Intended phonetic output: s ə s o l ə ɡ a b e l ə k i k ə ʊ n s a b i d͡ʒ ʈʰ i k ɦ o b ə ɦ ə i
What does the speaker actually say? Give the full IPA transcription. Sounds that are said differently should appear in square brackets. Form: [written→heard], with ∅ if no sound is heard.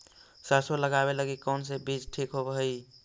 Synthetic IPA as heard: s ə s o l ə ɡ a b e l ə [k→ɡ] i k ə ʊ n s [a→e] b i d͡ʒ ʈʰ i k ɦ o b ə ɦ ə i